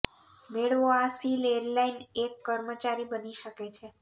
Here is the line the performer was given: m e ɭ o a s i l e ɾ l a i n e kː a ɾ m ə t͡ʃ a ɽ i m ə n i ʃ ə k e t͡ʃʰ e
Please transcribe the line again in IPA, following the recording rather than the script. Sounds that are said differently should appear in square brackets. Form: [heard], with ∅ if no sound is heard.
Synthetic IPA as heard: m e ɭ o a s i l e ɾ l a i n e kː [ə] ɾ m ə t͡ʃ a [ɾ] i [b] ə n i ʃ ə k e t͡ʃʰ e